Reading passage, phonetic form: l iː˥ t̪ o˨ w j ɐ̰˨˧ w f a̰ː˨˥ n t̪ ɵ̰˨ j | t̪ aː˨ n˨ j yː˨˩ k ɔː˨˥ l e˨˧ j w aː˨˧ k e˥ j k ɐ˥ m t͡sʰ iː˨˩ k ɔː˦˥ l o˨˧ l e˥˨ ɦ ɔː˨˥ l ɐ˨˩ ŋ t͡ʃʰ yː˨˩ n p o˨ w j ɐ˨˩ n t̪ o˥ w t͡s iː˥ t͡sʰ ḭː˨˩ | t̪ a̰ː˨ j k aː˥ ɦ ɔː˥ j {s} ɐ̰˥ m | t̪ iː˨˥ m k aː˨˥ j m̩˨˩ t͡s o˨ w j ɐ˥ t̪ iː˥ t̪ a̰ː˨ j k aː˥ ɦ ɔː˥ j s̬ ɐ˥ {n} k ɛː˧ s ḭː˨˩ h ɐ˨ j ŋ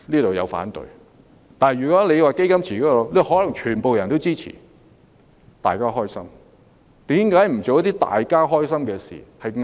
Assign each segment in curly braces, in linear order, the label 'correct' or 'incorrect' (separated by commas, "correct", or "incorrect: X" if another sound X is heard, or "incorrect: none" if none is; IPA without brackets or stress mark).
correct, incorrect: m